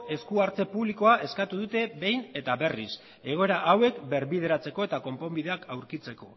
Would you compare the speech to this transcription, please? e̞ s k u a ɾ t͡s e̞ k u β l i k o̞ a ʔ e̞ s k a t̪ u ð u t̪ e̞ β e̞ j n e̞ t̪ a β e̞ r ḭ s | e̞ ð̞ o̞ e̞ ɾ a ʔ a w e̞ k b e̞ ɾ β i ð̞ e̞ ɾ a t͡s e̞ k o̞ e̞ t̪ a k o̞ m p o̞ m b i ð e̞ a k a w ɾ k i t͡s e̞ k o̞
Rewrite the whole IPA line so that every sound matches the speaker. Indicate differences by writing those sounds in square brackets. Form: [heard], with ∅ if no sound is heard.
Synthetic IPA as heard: e̞ s k u a ɾ t͡s e̞ [p] u β l i k o̞ a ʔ e̞ s k a t̪ u ð u t̪ e̞ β e̞ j n e̞ t̪ a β e̞ r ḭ s | e̞ [ɣ̞] o̞ e̞ ɾ a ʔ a w e̞ k b e̞ ɾ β i ð̞ e̞ ɾ a t͡s e̞ k o̞ e̞ t̪ a k o̞ m p o̞ m b i ð e̞ a k a w ɾ k i t͡s e̞ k o̞